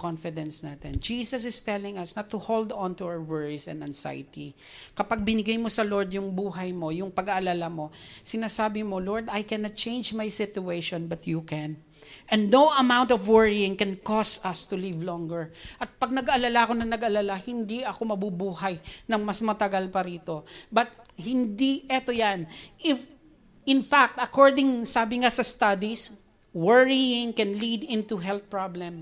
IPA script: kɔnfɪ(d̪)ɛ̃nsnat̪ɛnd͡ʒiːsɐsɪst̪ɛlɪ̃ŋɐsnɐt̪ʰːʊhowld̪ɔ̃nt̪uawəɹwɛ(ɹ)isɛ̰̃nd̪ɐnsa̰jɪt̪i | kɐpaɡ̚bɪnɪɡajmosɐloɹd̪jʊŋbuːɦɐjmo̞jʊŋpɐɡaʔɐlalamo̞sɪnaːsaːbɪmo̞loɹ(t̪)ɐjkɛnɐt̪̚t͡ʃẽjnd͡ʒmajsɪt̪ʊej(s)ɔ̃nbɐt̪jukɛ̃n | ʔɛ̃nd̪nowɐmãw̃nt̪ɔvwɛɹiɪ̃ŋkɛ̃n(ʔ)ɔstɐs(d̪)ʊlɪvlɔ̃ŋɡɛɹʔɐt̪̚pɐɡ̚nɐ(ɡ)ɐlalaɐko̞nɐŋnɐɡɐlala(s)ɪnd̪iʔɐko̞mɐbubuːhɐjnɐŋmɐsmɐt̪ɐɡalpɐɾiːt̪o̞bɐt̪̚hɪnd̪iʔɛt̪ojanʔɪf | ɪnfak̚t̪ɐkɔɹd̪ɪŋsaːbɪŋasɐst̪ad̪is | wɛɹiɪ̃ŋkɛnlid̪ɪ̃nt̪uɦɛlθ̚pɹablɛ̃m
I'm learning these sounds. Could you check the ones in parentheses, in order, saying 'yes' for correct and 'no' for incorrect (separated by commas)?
yes, yes, no, no, no, no, yes, no